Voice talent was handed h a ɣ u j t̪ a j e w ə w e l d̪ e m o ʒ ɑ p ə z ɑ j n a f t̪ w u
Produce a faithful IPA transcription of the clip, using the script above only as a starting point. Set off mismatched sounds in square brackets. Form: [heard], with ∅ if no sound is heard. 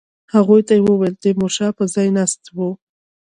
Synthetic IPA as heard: h a ɣ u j t̪ a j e w ə w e l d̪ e m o [ʃ] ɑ p ə z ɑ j n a [s] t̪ w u

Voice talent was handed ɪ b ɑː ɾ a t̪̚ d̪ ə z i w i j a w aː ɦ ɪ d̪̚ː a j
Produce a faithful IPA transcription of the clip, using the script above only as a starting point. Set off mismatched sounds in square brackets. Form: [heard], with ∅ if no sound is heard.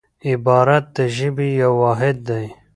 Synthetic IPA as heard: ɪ b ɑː ɾ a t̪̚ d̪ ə [ʒ] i [b] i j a w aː ɦ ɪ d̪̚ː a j

